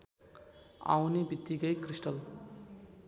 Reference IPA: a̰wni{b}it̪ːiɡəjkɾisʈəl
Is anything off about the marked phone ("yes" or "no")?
no